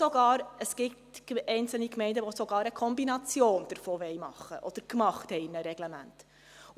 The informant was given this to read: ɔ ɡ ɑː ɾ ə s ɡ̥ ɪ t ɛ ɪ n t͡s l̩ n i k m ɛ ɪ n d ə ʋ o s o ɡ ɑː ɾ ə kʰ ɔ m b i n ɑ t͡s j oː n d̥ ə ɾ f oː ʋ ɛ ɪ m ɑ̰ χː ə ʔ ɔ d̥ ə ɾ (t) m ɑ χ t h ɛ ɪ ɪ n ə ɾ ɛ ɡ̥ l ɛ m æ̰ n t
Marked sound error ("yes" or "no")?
yes